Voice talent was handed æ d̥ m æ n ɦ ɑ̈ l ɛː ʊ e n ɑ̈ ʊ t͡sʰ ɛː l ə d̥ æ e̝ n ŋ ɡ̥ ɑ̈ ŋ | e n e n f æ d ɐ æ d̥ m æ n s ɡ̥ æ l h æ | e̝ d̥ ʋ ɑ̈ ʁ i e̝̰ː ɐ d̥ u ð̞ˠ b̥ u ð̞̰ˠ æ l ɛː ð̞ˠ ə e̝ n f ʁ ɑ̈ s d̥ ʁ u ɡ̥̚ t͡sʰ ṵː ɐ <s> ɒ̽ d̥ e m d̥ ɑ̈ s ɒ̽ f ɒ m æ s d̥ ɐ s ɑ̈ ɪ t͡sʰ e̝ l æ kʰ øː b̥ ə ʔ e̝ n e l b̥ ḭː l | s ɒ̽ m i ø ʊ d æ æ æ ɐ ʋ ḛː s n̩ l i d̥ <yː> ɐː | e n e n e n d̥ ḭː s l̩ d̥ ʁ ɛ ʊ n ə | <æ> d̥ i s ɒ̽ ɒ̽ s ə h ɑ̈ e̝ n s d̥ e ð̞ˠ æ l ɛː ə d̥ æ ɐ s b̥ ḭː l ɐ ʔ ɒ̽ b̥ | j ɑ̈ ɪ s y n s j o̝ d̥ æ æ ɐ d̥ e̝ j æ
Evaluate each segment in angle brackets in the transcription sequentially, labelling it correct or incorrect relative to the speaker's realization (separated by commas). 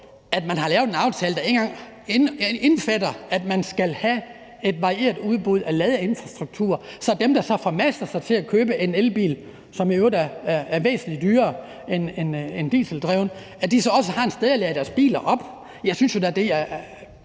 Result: correct, correct, correct